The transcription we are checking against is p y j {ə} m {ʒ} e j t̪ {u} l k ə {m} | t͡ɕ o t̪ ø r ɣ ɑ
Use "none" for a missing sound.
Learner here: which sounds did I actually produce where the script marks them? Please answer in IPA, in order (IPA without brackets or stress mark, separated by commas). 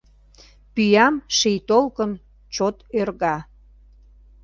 ɑ, ʃ, o, n